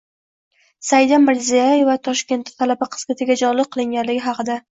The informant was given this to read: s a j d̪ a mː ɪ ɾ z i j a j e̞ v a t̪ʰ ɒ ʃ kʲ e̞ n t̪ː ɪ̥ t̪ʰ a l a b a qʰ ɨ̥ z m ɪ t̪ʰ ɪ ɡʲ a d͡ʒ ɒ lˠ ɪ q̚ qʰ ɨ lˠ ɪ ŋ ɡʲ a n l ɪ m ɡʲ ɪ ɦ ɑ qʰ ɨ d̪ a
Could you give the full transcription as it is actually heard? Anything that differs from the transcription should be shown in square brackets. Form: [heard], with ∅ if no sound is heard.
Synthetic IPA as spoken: s a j d̪ a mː ɪ ɾ z i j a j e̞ v a t̪ʰ ɒ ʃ kʲ e̞ n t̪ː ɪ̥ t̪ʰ a l a b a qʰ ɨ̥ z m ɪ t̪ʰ ɪ ɡʲ a d͡ʒ ɒ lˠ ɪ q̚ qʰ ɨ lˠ ɪ ŋ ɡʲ a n l ɪ [∅] ɡʲ ɪ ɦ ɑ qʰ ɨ d̪ a